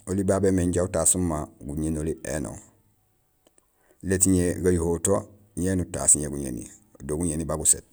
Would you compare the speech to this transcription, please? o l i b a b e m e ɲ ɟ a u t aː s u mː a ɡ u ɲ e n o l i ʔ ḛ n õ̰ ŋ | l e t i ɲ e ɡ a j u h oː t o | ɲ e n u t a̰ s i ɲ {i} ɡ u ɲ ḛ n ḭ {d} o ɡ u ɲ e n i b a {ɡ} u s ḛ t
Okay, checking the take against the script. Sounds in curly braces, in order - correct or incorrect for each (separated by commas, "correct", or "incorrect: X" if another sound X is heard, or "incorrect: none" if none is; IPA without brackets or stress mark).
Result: incorrect: e, correct, correct